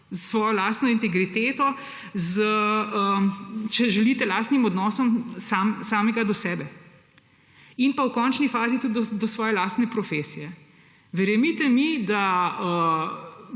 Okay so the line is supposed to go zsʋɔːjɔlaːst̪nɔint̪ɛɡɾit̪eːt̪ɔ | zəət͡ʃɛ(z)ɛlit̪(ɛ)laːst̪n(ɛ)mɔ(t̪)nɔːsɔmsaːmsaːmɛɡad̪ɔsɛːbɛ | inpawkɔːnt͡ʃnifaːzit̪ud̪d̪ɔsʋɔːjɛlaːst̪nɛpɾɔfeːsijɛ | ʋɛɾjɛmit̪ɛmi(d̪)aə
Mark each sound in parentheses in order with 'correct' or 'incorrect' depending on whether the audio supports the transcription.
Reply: incorrect, correct, incorrect, incorrect, correct

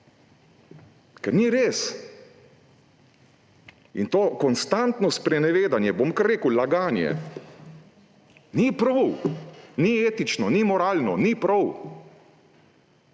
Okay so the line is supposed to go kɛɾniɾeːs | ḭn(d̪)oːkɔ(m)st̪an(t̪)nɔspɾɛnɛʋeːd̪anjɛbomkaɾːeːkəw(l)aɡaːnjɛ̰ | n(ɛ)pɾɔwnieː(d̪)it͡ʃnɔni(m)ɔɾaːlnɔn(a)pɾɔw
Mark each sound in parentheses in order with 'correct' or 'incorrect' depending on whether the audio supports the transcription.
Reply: incorrect, incorrect, correct, correct, incorrect, incorrect, correct, incorrect

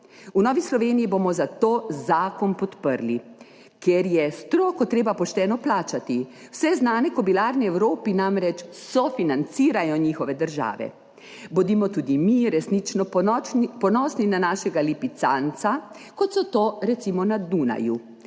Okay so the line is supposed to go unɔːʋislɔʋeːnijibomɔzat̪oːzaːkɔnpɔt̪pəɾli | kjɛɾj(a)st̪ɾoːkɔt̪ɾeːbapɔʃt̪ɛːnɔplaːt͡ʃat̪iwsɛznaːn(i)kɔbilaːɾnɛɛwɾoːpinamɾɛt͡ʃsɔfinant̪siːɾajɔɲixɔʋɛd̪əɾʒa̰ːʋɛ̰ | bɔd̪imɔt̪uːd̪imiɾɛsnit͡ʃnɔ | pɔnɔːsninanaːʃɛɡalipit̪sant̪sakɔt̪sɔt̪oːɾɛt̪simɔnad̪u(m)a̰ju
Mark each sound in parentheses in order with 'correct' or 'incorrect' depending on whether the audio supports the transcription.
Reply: incorrect, incorrect, incorrect

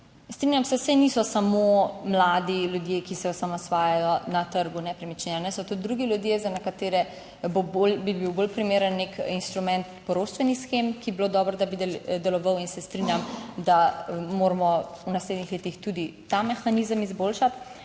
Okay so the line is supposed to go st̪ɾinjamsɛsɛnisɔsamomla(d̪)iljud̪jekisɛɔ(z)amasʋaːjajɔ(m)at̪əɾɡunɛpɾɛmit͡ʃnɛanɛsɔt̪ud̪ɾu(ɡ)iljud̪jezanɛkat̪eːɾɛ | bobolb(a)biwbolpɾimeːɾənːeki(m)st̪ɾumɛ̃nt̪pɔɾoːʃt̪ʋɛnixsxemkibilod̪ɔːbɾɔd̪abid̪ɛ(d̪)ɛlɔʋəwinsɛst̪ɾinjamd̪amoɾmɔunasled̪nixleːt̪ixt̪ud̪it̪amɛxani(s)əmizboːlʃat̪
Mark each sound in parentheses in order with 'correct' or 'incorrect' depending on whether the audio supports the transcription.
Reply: correct, incorrect, incorrect, correct, incorrect, incorrect, correct, incorrect

